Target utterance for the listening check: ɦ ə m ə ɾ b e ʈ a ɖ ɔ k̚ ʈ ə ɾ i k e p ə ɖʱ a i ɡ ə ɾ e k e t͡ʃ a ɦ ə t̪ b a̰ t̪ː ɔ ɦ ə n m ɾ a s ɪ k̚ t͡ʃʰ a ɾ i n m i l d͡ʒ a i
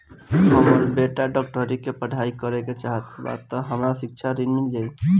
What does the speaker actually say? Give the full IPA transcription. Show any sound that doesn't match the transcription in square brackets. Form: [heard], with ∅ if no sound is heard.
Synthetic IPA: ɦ ə m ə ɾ b e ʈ a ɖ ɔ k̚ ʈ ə ɾ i k e p ə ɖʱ a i [k] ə ɾ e k e t͡ʃ a ɦ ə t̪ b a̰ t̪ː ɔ ɦ ə [∅] m ɾ a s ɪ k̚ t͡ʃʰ a ɾ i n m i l d͡ʒ a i

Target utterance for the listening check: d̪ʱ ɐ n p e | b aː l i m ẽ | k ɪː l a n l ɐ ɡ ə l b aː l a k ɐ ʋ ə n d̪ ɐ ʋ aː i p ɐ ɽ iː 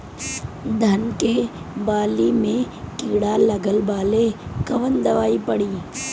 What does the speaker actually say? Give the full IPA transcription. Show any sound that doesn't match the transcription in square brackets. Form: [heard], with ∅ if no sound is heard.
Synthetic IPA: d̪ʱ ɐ n [k] e | b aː l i m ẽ | k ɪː [ɽ] a [∅] l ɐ ɡ ə l b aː l [e] k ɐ ʋ ə n d̪ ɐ ʋ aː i p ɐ ɽ iː

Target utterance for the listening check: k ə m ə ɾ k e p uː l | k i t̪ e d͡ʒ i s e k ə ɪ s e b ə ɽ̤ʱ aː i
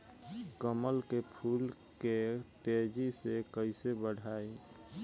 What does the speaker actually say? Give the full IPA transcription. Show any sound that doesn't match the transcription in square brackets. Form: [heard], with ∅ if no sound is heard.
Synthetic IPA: k ə m ə [l] k e [pʰ] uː l | k [e] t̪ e d͡ʒ i s e k ə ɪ s e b ə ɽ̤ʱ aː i

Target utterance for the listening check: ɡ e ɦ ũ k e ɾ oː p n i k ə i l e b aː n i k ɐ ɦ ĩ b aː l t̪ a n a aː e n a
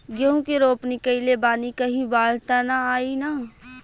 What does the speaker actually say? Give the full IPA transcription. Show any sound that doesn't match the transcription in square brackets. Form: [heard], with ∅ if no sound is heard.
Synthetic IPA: ɡ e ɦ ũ k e ɾ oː p n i k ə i l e b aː n i k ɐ ɦ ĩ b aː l t̪ a n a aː [i] n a

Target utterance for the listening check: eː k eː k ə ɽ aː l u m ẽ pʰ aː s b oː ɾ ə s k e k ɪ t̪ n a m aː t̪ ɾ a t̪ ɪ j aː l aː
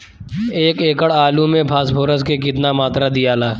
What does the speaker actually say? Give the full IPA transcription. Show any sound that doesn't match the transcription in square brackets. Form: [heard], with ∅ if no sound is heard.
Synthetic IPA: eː k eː k ə ɽ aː l u m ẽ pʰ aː s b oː ɾ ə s k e k ɪ t̪ n a m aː t̪ ɾ a [d̪] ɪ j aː l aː

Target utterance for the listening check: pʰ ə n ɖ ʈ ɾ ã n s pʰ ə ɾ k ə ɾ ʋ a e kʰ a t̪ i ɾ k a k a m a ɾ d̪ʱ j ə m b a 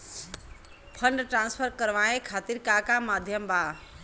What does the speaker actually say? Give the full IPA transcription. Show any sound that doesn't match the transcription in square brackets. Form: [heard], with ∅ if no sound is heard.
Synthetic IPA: pʰ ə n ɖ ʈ ɾ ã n s pʰ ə ɾ k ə ɾ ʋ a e kʰ a t̪ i ɾ k a k a m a [∅] d̪ʱ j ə m b a

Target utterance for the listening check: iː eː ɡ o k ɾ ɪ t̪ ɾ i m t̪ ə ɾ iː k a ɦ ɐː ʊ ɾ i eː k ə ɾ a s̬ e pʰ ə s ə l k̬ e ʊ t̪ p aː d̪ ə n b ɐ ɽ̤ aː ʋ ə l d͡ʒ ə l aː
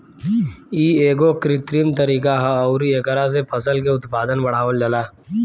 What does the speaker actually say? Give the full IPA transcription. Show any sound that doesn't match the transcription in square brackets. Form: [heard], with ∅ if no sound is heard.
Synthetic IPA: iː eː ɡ o k ɾ ɪ t̪ ɾ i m t̪ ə ɾ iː k a ɦ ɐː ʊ ɾ i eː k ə ɾ a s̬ e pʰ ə s ə l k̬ e ʊ t̪ p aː d̪ ə n b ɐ ɽ̤ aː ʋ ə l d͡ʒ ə l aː

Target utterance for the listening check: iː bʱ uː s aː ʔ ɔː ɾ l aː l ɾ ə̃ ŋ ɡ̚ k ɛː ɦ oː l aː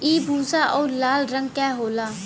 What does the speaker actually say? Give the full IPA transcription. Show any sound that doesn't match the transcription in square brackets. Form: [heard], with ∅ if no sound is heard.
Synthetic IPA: iː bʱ uː s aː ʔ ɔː ɾ l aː l ɾ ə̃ ŋ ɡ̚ k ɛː ɦ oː l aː

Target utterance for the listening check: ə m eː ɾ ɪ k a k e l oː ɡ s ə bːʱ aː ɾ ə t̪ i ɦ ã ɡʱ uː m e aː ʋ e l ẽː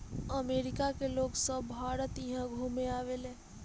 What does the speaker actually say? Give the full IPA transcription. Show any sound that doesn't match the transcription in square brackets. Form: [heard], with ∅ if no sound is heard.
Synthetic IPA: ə m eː ɾ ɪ k a k e l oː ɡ s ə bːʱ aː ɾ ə t̪ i ɦ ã ɡʱ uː m e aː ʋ e l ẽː

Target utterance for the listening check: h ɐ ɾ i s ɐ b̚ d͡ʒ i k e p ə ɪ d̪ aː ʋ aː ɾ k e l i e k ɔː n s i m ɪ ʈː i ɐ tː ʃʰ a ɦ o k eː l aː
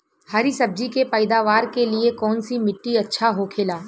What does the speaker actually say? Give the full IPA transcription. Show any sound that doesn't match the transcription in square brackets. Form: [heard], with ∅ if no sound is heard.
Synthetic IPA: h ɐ ɾ i s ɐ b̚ d͡ʒ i k e p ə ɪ d̪ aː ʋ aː ɾ k e l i e k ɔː n s i m ɪ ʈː i ɐ tː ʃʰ a ɦ o [kʰ] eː l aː

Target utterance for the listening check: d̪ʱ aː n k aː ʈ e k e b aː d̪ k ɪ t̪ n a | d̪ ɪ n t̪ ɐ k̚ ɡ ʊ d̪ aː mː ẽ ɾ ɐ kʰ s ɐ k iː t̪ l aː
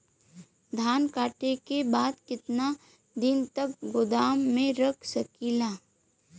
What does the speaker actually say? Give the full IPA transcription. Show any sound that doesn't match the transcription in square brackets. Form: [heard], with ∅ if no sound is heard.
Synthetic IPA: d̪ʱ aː n k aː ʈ e k e b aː d̪ k ɪ t̪ n a | d̪ ɪ n t̪ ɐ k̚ ɡ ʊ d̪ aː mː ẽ ɾ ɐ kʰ s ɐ k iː [∅] l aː

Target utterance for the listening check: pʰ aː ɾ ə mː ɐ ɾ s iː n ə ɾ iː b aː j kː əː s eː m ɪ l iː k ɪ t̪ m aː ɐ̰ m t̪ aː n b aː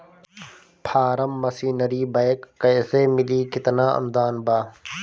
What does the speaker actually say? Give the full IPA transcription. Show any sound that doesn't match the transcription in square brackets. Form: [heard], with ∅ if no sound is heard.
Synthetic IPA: pʰ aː ɾ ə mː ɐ [∅] s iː n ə ɾ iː b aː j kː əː s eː m ɪ l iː k ɪ t̪ [n] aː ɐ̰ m [d̪] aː n b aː

